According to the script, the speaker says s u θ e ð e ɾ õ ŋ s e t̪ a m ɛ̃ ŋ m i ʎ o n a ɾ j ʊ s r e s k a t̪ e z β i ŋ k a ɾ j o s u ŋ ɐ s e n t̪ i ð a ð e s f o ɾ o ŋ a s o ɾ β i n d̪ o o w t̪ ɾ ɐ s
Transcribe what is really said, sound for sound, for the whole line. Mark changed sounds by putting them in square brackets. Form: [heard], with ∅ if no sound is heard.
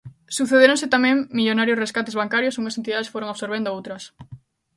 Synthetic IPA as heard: s u θ e ð e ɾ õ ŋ s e t̪ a m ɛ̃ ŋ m i ʎ o n a ɾ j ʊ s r e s k a t̪ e z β [a] ŋ k a ɾ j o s u ŋ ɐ s e n t̪ i ð a ð e s f o ɾ o ŋ a s o ɾ β [e] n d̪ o o w t̪ ɾ ɐ s